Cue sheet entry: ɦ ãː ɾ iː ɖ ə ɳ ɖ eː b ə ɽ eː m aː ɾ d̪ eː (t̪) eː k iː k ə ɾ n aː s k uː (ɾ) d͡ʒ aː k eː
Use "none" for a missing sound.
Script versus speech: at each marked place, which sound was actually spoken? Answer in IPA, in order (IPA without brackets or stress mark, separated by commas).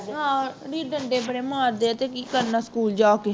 t̪, l